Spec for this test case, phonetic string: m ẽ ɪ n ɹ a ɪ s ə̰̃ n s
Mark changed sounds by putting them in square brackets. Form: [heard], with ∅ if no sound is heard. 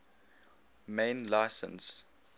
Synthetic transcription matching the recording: m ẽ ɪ n [l] a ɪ s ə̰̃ n s